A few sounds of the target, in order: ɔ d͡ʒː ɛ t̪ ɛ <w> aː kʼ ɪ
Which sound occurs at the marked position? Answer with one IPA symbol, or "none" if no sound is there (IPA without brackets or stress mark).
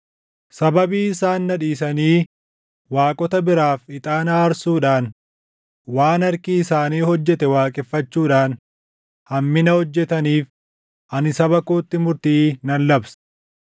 w